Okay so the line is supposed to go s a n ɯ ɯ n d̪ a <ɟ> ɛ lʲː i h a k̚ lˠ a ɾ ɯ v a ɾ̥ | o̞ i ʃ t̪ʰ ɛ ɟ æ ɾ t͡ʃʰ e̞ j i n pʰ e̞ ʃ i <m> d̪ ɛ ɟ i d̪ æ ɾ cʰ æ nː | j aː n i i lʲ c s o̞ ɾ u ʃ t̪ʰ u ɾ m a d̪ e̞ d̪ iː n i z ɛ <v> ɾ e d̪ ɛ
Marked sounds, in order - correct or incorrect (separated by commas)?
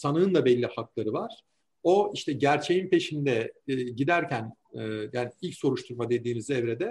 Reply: incorrect, incorrect, correct